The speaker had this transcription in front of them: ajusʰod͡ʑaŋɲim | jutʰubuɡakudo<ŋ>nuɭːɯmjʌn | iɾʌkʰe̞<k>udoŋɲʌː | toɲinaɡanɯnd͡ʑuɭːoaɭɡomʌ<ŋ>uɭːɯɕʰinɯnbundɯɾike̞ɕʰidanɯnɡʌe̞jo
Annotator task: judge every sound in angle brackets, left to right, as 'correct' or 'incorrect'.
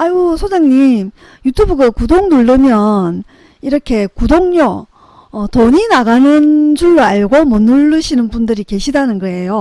correct, correct, incorrect: n

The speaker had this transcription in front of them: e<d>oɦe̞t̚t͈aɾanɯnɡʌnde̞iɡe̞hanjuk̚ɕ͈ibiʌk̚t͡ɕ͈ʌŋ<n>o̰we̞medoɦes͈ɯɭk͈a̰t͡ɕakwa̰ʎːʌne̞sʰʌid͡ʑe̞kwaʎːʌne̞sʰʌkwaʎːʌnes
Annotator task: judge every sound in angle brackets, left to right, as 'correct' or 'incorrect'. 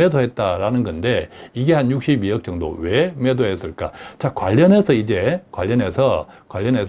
correct, incorrect: d

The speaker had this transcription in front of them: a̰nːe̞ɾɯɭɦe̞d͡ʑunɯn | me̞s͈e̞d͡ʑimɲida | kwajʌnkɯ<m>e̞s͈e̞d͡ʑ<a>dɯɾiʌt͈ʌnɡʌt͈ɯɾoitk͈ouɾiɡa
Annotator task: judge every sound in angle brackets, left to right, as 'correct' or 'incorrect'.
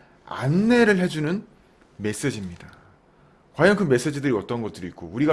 correct, incorrect: i

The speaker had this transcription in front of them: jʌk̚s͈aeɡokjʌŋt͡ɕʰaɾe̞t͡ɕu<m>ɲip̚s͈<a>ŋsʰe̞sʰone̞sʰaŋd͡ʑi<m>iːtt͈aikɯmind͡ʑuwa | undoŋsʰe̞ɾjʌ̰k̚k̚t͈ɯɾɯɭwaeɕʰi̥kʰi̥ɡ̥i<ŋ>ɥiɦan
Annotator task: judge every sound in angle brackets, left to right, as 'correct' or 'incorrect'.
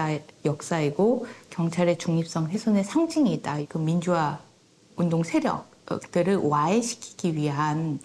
incorrect: ŋ, incorrect: ʌ, incorrect: ŋ, incorrect: none

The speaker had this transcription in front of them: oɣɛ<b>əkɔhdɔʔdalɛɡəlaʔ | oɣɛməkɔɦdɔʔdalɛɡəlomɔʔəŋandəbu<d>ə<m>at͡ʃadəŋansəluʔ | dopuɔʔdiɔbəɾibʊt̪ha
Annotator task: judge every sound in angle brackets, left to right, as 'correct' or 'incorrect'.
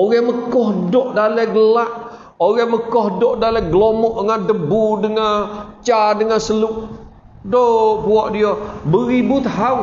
incorrect: m, correct, incorrect: ŋ

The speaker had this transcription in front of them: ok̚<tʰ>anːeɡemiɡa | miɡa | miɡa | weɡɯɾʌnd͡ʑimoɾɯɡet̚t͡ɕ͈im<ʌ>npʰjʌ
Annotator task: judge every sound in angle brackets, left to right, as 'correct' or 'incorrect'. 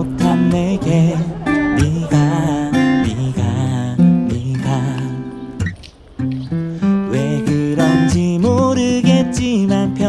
correct, incorrect: a

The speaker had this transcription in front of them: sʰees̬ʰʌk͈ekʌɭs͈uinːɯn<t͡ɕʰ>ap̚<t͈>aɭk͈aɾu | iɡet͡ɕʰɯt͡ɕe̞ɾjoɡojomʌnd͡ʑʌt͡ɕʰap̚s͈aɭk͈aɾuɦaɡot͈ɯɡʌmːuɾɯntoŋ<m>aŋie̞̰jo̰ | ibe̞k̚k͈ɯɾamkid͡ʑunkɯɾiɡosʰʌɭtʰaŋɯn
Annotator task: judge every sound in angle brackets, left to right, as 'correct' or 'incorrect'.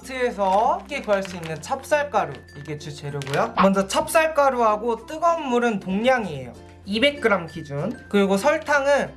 correct, incorrect: s͈, incorrect: ɲ

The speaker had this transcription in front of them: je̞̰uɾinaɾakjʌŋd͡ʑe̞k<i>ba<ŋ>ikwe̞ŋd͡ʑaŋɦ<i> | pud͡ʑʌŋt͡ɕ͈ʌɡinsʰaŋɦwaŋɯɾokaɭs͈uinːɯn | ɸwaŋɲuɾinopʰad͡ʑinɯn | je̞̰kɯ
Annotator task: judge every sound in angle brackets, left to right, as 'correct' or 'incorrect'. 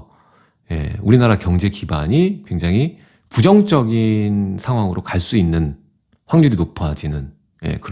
correct, incorrect: ɲ, correct

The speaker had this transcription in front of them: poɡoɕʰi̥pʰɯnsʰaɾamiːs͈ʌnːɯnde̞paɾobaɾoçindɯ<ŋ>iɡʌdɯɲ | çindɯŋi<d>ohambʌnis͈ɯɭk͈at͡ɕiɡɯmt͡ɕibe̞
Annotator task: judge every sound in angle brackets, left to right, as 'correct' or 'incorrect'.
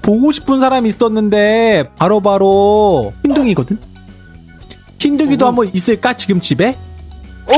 correct, correct

